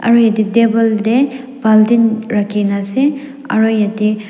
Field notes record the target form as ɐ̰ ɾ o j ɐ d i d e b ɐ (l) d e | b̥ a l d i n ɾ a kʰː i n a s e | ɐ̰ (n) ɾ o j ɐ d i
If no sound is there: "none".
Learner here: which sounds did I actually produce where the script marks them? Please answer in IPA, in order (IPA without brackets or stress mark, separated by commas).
l, none